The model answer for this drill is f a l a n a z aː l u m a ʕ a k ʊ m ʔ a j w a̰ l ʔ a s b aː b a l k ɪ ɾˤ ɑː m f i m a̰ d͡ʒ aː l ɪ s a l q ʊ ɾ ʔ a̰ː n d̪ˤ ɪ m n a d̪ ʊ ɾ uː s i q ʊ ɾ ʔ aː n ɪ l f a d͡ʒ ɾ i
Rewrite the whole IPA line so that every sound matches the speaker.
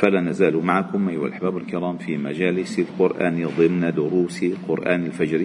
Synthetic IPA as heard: f a l a n a z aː l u m a ʕ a k ʊ m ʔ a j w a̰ l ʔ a ħ b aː b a l k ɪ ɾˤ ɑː m f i m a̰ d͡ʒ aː l ɪ s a l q ʊ ɾ ʔ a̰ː n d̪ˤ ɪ m n a d̪ ʊ ɾ uː s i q ʊ ɾ ʔ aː n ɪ l f a d͡ʒ ɾ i